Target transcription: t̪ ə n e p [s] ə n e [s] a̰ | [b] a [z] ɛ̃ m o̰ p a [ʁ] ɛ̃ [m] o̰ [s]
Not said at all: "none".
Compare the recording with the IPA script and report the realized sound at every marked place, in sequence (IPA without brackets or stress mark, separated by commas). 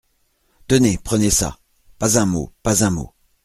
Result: χ, s, p, z, z, m, none